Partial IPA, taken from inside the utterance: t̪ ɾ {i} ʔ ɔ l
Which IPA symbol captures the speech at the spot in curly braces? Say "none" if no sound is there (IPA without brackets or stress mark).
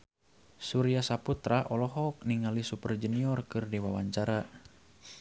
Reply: a